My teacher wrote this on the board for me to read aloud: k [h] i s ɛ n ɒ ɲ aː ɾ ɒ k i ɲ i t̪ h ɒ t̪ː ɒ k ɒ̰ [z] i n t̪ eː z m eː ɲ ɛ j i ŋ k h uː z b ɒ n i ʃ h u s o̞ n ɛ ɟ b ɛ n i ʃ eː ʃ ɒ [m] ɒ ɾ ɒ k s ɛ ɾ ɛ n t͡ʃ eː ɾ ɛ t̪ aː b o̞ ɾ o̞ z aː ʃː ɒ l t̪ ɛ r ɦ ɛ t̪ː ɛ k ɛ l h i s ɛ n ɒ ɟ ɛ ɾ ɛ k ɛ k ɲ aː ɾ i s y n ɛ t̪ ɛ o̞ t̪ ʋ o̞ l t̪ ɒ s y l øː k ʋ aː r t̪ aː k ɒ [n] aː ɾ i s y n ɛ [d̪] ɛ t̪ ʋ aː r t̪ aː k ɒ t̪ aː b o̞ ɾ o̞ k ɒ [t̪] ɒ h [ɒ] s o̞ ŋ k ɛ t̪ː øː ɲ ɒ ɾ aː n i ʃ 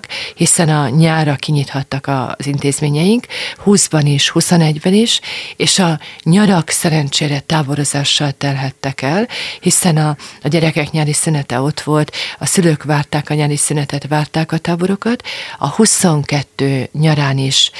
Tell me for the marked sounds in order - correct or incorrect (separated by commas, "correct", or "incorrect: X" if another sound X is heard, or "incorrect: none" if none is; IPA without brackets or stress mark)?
correct, correct, incorrect: ɲ, incorrect: ɲ, incorrect: t̪, correct, incorrect: u